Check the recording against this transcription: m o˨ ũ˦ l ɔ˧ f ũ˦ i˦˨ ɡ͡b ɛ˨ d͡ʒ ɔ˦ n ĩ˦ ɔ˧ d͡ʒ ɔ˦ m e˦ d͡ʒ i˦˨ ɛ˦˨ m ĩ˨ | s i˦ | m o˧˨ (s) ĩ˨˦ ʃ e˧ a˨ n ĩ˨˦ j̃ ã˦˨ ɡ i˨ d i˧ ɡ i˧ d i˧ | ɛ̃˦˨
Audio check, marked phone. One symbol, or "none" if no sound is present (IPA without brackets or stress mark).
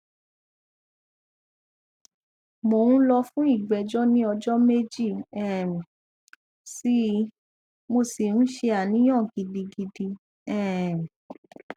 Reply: s